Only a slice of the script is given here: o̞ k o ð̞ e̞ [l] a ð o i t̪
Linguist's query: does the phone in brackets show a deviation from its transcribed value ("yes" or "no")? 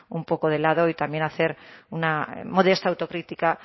no